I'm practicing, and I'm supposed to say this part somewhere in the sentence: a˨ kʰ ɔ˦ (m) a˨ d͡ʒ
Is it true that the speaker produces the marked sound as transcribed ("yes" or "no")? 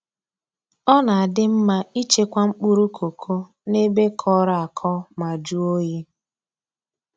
yes